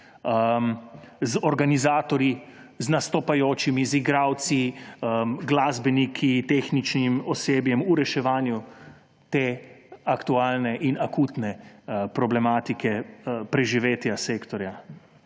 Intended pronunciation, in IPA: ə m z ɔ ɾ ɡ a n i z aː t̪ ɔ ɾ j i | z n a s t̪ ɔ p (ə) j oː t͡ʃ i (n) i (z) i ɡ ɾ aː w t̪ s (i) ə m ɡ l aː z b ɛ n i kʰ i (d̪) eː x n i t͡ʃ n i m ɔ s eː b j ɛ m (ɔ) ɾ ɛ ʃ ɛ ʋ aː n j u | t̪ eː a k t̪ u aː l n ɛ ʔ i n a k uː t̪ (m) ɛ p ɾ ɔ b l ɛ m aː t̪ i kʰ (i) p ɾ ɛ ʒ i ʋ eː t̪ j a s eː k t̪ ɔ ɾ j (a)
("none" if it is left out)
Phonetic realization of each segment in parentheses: a, m, z, i, t̪, u, n, ɛ, a

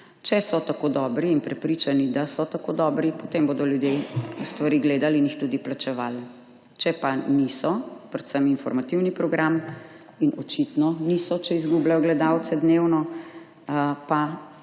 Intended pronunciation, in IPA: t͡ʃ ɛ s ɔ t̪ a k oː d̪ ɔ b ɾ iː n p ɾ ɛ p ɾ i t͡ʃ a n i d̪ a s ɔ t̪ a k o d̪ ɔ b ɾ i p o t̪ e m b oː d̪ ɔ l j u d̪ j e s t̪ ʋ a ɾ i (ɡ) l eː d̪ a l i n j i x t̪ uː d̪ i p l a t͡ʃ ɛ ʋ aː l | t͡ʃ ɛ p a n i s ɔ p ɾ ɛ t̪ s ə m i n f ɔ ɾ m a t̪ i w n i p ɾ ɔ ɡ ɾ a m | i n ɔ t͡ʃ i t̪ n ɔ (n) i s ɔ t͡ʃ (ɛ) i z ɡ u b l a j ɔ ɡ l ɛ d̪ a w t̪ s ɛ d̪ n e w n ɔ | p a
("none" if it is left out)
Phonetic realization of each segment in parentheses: ɡ, n, ɛ

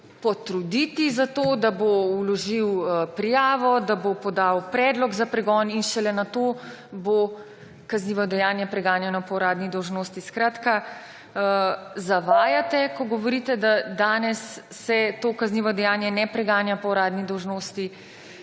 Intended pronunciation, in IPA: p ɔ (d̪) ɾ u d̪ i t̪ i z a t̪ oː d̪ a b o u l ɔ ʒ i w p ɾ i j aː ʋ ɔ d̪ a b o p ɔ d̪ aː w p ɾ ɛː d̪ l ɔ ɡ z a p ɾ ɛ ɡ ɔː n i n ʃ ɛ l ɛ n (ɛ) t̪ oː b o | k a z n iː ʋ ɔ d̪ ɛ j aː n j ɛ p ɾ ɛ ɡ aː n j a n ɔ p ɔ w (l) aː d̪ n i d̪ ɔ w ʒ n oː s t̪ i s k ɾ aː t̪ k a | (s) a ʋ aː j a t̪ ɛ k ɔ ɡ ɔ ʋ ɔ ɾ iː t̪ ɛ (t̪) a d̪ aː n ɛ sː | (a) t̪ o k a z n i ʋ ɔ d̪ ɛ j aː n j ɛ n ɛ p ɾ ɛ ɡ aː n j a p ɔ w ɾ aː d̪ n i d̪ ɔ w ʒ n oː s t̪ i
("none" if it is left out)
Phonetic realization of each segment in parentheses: t̪, a, ɾ, z, d̪, ɛ

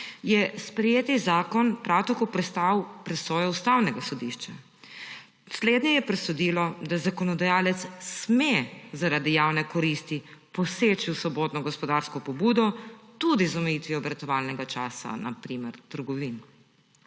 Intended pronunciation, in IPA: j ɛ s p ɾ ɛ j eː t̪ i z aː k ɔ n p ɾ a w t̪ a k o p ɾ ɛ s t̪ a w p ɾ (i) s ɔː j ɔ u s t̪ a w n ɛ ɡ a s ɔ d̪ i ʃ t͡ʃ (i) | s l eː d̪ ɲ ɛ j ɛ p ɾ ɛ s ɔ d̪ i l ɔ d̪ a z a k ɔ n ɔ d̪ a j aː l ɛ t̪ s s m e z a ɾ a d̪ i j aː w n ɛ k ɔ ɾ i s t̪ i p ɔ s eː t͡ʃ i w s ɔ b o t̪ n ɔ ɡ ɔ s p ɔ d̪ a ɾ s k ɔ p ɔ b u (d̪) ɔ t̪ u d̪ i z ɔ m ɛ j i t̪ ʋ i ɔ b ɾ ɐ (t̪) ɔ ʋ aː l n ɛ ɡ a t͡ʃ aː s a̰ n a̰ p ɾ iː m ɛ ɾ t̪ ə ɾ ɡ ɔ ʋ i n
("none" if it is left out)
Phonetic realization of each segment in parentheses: ɛ, a, d̪, t̪

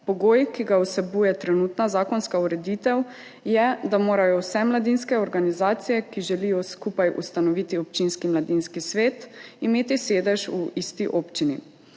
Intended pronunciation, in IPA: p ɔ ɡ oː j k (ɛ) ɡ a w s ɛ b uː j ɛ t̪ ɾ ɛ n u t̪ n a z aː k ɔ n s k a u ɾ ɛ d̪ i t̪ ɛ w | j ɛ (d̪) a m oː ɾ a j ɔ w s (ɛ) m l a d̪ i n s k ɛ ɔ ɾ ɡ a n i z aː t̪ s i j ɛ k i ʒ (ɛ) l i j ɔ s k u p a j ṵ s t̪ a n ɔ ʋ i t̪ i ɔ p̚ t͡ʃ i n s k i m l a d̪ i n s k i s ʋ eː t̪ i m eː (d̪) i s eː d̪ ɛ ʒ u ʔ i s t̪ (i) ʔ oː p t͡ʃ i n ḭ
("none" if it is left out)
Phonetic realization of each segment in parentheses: i, d̪, ɛ, ɛ, t̪, i

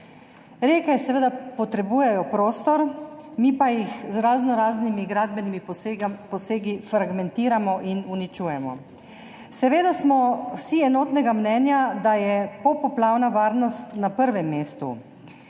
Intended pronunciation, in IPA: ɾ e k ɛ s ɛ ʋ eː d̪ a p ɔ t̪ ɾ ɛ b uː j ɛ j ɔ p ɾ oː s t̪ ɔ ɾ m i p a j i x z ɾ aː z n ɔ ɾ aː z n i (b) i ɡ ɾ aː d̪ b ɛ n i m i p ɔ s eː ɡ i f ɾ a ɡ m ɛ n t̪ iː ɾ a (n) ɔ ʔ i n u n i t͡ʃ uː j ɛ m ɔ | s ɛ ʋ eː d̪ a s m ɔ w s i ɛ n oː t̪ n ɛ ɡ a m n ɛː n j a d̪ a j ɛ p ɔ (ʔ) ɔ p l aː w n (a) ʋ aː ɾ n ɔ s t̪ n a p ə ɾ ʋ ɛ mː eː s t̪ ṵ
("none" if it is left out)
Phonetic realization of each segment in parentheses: m, m, p, a

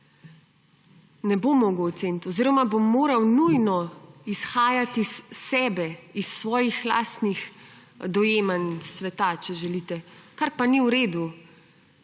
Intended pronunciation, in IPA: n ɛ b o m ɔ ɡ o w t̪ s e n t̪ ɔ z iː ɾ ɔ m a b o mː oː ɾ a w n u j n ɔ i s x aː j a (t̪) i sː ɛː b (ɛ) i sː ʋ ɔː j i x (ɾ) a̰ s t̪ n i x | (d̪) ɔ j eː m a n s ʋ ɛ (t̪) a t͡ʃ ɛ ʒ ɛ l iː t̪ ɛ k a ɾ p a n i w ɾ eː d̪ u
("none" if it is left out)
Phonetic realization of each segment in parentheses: t̪, ɛ, l, d̪, t̪

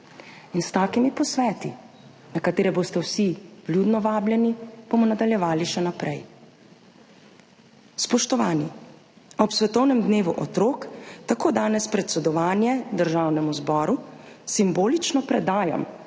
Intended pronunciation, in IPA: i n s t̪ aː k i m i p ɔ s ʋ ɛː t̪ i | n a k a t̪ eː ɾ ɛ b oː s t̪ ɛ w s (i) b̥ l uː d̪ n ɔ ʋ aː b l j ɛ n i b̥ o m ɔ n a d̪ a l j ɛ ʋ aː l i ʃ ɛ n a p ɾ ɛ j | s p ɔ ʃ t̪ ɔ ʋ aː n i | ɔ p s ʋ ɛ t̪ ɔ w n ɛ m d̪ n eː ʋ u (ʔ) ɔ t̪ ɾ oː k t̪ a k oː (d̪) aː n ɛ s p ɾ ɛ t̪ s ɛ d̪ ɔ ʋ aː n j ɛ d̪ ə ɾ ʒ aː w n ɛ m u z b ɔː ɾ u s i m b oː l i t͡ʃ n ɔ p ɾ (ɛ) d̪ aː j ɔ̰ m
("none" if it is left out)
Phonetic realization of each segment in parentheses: i, ʔ, d̪, ɛ

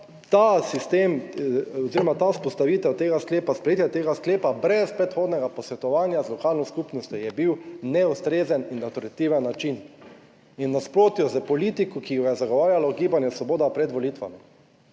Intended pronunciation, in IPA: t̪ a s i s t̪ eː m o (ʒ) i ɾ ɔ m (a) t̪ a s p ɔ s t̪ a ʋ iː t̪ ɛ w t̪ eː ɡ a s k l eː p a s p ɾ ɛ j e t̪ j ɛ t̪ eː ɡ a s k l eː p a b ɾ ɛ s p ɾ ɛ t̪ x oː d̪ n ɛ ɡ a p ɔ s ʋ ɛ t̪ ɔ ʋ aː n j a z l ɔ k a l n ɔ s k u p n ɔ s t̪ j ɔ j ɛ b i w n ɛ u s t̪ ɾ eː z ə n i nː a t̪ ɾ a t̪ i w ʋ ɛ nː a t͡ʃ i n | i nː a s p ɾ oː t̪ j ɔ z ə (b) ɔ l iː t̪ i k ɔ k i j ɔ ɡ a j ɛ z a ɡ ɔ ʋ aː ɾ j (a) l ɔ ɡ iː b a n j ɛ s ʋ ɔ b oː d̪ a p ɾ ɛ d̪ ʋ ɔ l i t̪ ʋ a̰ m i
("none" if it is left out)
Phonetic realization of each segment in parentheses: z, a, p, a

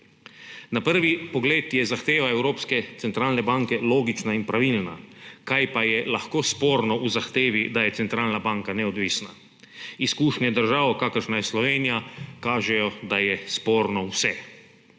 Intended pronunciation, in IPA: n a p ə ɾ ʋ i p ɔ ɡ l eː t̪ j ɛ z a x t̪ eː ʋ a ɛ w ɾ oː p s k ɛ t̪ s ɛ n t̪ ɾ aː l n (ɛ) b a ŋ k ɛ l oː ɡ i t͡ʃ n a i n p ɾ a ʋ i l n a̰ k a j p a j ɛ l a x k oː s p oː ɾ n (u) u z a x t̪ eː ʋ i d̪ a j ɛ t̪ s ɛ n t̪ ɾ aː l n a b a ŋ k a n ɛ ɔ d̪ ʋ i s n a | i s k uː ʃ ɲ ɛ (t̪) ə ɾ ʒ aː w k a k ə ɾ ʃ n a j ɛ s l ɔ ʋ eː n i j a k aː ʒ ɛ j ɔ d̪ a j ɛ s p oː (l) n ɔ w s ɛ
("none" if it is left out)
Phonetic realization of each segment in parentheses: ɛ, ɔ, d̪, ɾ

